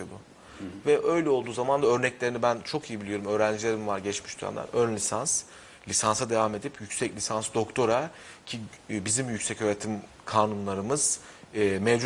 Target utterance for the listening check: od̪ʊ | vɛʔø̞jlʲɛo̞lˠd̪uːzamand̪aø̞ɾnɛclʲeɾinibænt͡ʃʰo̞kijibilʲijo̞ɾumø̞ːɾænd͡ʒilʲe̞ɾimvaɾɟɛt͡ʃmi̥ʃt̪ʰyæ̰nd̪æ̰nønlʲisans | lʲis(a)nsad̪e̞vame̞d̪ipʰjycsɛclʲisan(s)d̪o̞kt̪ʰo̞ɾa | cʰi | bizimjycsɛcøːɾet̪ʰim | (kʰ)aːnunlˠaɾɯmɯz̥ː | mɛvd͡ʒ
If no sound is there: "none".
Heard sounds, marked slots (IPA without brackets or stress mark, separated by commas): a, s, kʰ